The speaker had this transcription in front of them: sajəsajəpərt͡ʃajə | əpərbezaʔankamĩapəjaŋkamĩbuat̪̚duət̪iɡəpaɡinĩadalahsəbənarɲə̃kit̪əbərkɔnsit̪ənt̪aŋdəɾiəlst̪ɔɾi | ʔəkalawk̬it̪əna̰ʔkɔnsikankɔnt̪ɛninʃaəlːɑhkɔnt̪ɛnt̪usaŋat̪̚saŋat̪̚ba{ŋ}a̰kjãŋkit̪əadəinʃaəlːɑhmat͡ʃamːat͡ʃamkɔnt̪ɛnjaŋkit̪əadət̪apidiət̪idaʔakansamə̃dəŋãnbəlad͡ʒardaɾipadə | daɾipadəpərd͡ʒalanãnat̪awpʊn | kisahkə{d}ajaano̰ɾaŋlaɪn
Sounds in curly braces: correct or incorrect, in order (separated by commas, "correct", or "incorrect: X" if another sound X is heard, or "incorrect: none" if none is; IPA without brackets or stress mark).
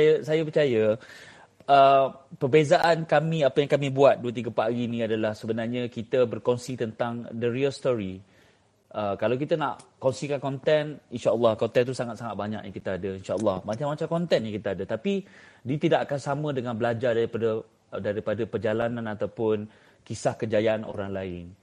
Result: incorrect: ɲ, incorrect: d͡ʒ